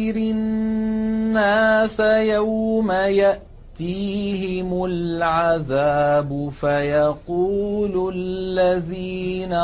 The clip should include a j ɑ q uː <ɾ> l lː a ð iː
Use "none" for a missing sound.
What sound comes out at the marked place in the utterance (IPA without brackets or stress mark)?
l